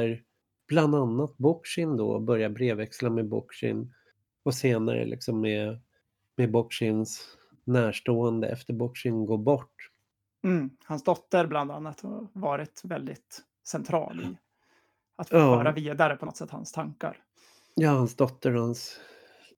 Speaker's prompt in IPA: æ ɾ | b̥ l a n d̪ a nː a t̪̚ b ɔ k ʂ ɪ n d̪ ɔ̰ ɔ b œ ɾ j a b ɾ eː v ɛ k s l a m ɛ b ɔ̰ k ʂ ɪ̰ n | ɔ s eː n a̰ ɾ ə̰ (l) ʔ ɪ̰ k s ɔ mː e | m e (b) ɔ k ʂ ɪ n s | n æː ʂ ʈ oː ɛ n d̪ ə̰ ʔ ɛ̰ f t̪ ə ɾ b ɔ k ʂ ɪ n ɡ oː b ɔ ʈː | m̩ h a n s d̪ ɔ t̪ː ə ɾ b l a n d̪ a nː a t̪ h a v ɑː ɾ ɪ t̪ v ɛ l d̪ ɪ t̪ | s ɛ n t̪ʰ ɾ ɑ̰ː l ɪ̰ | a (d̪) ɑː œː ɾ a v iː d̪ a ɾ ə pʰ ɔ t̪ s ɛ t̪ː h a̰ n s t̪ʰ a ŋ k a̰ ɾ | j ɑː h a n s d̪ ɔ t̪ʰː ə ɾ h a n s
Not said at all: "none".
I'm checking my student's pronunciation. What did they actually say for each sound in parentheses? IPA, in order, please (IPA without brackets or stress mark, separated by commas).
l, b, t̪